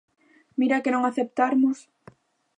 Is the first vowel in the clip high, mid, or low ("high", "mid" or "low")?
high